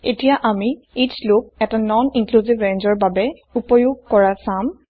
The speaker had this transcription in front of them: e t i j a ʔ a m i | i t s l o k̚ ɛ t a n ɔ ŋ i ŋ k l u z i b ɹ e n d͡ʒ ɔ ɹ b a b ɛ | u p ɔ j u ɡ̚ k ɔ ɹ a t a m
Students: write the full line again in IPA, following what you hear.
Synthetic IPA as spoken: e t i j a ʔ a m i | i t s l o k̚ ɛ t a n ɔ n i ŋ k l u z i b ɹ e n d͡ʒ ɔ ɹ b a b ɛ | u p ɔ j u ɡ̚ k ɔ ɹ a s a m